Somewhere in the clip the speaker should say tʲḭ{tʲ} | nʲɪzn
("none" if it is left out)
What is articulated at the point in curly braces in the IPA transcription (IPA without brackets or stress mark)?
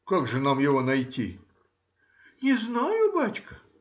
none